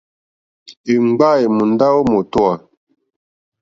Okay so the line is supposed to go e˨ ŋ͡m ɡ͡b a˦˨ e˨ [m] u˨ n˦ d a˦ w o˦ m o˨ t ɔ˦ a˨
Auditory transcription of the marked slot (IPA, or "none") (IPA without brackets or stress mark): m